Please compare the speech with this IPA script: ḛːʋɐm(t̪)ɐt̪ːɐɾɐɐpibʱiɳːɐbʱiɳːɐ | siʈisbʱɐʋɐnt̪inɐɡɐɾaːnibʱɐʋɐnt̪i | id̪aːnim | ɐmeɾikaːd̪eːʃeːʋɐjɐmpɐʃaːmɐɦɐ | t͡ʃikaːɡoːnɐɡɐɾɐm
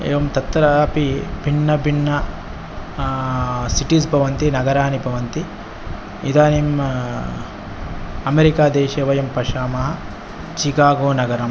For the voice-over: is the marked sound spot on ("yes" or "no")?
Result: yes